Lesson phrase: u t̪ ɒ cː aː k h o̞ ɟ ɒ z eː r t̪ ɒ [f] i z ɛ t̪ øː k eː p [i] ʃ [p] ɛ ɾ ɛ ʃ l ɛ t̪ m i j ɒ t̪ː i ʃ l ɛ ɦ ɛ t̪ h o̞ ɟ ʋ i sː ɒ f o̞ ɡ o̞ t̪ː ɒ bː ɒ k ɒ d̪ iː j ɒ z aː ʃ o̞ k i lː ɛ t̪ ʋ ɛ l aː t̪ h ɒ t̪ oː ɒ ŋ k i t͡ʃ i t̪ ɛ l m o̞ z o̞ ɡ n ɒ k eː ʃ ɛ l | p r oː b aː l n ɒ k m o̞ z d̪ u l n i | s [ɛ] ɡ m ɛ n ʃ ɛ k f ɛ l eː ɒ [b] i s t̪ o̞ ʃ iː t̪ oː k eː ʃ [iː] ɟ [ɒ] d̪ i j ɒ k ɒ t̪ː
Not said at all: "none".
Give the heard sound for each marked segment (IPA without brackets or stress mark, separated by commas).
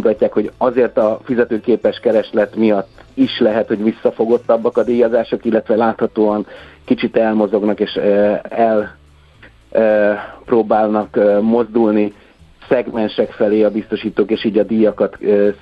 f, ɛ, k, ɛ, b, iː, ɒ